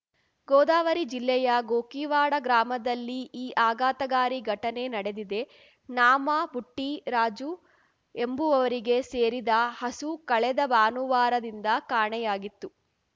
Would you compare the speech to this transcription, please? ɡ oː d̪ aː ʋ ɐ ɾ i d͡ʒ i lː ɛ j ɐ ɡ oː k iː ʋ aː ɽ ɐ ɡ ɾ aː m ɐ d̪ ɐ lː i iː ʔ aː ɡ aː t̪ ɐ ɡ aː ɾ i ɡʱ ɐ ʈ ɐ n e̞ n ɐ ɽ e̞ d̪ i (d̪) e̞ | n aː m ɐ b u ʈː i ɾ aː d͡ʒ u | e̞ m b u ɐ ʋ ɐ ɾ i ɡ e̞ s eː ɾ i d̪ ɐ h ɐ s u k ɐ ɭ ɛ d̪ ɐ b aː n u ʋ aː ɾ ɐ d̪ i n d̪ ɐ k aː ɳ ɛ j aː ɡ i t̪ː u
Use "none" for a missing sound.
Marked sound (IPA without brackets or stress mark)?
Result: d̪